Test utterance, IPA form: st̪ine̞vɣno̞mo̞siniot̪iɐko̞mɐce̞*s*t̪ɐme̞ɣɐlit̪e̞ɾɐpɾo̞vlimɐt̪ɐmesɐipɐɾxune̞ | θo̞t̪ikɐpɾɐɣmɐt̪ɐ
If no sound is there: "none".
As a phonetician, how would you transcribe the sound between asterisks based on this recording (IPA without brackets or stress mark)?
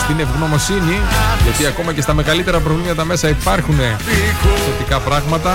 s